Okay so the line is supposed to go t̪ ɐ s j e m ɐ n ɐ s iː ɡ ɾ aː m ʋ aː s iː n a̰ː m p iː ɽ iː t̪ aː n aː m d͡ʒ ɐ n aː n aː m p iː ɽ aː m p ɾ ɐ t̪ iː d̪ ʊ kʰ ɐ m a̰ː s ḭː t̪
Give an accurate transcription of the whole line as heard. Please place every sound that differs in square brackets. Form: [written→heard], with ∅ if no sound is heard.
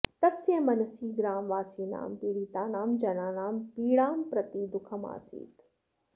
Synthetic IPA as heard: t̪ ɐ s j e m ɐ n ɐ s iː ɡ ɾ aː m ʋ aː s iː n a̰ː m p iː ɽ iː t̪ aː n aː m d͡ʒ ɐ n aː n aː m p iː ɽ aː m p ɾ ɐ t̪ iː d̪ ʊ kʰ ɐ m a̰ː s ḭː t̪